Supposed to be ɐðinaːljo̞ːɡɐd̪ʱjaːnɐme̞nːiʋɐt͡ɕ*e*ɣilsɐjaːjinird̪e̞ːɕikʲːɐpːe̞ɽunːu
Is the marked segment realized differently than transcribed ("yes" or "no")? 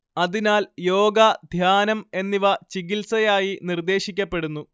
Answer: yes